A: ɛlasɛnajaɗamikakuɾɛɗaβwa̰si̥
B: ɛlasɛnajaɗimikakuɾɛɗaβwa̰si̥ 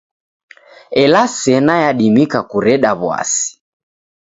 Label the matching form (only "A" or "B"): B